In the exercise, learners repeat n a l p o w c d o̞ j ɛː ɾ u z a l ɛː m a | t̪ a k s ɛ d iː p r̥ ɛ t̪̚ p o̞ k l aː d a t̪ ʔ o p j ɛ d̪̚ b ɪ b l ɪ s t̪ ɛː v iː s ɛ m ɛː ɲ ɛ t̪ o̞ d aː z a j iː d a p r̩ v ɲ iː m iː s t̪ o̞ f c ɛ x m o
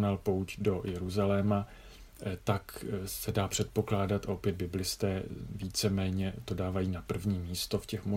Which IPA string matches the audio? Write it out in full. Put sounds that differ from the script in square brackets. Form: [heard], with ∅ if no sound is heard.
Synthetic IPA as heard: n a l p o w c d o̞ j [ɛ] ɾ u z a l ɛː m a | t̪ a k s ɛ d [aː] p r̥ ɛ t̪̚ p o̞ k l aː d a t̪ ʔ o p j ɛ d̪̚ b ɪ b l ɪ s t̪ ɛː v iː [t͡s] ɛ m ɛː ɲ ɛ t̪ o̞ d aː [v] a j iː [n] a p r̩ v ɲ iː m iː s t̪ o̞ f c ɛ x m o